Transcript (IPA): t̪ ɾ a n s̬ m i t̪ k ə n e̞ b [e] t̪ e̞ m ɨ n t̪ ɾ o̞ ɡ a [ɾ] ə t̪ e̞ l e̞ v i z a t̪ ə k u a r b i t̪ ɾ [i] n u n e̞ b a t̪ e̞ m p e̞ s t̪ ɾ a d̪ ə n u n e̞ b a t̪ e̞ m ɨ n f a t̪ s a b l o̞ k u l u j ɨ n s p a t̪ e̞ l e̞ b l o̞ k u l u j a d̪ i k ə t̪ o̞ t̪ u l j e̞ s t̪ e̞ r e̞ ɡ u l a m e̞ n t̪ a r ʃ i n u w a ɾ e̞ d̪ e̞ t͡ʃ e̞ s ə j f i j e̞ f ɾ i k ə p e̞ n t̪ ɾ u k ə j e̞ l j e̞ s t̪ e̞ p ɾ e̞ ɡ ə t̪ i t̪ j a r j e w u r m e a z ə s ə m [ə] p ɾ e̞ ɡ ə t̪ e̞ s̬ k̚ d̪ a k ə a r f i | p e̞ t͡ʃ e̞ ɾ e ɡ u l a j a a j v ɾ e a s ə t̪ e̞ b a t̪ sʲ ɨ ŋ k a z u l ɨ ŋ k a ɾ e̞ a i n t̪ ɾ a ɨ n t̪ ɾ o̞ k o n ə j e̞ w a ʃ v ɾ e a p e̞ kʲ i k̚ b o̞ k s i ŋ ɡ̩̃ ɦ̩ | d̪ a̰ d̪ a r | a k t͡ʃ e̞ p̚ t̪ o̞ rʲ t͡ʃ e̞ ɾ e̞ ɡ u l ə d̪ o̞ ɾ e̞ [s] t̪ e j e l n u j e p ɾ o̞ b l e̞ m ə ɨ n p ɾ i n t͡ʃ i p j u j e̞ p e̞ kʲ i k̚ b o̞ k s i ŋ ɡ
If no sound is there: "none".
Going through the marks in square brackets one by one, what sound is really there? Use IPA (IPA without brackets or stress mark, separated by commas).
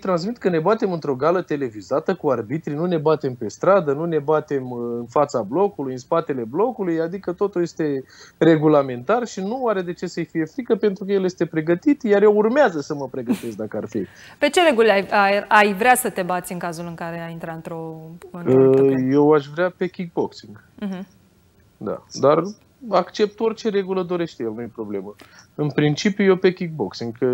a, l, i, ə, ʃ